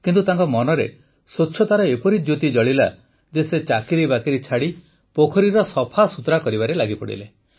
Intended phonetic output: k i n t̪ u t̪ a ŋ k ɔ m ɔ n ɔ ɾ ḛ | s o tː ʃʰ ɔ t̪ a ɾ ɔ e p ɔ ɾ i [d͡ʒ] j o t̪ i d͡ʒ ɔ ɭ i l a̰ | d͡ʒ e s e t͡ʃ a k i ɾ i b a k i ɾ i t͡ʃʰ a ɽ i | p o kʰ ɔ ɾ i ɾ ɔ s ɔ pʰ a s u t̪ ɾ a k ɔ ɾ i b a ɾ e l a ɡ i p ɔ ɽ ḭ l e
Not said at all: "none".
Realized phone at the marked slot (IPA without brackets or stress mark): d͡ʒ